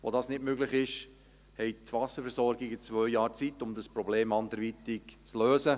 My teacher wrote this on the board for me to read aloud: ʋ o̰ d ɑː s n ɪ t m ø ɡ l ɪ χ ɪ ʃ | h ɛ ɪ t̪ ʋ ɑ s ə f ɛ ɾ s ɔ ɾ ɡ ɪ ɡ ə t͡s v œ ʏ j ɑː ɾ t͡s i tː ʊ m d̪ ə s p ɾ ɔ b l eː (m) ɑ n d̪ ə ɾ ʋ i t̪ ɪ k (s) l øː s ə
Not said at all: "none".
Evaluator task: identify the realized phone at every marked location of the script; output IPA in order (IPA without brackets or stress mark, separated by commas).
m, t͡s